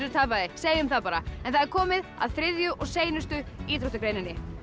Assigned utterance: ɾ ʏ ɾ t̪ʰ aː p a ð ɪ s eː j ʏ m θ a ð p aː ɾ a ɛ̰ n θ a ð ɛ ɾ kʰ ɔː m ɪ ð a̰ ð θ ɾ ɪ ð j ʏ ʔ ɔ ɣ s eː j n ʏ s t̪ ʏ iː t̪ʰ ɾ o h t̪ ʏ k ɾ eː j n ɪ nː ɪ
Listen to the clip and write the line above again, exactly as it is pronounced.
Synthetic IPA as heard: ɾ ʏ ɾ t̪ʰ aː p a ð ɪ s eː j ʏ m θ a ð p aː ɾ a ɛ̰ n θ a ð ɛ ɾ kʰ ɔː m ɪ ð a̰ ð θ ɾ ɪ ð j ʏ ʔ ɔ ɣ s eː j n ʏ s t̪ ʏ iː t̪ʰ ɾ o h t̪ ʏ k ɾ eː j n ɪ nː ɪ